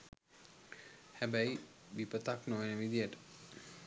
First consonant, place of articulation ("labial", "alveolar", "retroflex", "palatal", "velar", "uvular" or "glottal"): glottal